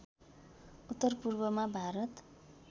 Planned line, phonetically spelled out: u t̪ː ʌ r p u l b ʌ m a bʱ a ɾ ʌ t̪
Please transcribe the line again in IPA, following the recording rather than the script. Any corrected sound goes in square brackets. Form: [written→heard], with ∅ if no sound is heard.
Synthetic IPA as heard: u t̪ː ʌ r p u [l→r] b ʌ m a bʱ a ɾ ʌ t̪